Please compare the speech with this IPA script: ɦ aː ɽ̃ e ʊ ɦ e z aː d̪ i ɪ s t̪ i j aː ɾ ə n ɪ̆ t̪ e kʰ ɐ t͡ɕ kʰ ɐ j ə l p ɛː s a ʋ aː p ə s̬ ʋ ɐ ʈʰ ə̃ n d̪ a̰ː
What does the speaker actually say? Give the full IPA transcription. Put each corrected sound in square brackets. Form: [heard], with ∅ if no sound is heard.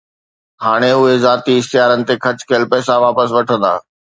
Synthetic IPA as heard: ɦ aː ɽ̃ e ʊ ɦ e z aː [t̪] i ɪ s t̪ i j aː ɾ ə n ɪ̆ t̪ e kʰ ɐ t͡ɕ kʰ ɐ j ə l p ɛː s a ʋ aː p ə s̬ ʋ ɐ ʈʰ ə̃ n d̪ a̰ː